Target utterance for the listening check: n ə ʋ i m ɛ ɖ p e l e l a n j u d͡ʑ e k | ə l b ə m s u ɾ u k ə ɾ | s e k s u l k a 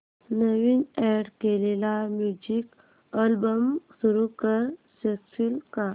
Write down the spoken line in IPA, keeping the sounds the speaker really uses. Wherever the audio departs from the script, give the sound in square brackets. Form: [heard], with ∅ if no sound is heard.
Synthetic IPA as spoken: n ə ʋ i [n] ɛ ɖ [k] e l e l a [m] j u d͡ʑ [i] k | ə l b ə m s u ɾ u k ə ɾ | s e k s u l k a